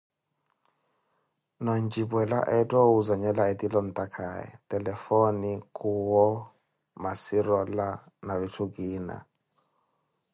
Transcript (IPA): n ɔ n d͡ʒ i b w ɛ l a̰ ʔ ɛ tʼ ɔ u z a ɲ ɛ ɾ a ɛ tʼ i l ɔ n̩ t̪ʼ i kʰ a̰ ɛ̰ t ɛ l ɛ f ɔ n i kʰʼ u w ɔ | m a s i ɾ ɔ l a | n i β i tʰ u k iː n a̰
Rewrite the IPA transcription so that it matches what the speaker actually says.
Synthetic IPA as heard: n ɔ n d͡ʒ i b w ɛ l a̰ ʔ ɛ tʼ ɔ u z a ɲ ɛ l a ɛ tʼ i l ɔ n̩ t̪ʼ a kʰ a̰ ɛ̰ t ɛ l ɛ f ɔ n i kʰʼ u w ɔ | m a s i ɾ ɔ l a | n a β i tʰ u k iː n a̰